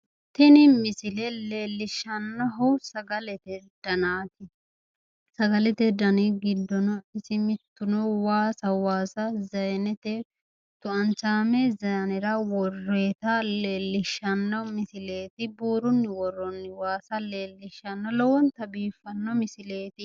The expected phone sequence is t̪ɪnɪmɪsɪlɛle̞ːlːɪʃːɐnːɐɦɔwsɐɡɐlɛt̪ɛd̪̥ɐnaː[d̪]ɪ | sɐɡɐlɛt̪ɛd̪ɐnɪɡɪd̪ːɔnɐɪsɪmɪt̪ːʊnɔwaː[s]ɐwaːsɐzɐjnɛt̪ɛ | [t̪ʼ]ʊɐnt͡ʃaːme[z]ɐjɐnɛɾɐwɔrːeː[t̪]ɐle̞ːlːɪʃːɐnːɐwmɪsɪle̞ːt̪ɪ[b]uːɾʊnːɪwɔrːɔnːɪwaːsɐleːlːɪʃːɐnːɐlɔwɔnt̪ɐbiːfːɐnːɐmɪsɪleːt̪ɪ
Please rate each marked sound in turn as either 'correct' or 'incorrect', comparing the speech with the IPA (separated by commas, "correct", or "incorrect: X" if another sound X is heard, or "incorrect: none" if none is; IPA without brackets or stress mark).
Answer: incorrect: t̪, correct, incorrect: t̪, correct, correct, correct